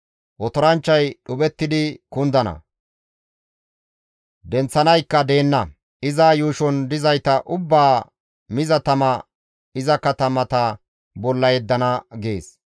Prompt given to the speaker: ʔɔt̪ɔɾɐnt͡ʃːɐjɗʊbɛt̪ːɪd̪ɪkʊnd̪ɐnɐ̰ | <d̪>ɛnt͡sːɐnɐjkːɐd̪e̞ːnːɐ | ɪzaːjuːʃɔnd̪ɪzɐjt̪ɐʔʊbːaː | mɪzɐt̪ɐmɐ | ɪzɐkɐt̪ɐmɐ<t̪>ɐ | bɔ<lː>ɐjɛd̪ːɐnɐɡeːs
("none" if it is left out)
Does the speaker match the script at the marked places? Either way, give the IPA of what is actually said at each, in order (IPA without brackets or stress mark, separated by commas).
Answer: d̪, t̪, lː